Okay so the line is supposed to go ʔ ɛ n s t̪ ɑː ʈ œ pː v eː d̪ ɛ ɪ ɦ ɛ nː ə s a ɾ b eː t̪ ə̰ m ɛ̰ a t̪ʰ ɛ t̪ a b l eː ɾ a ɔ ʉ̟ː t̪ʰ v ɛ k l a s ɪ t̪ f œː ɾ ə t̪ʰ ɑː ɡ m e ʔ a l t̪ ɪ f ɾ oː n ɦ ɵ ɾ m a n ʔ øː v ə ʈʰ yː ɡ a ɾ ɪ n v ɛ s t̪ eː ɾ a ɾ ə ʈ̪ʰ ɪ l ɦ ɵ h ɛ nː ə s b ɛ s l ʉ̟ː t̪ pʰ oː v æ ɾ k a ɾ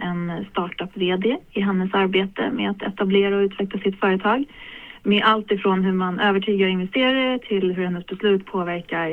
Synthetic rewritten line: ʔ ɛ n s t̪ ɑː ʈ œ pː v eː d̪ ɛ ɪ ɦ ɛ nː ə s a ɾ b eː t̪ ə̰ m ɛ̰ a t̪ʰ ɛ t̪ a b l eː ɾ a ɔ ʉ̟ː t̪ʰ v ɛ k l a s ɪ t̪ f œː ɾ ə t̪ʰ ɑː ɡ m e ʔ a l t̪ ɪ f ɾ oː n ɦ ɵ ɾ m a n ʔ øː v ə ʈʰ yː ɡ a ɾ ɪ n v ɛ s t̪ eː ɾ a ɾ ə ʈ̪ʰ ɪ l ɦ ɵ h ɛ nː ə s b ɛ s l ʉ̟ː t̪ pʰ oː v æ ɾ k a ɾ